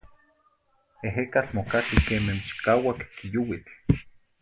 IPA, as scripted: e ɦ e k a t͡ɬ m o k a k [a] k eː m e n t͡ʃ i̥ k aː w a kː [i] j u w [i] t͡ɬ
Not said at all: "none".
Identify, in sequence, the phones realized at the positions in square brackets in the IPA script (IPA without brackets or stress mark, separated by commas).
i, i, i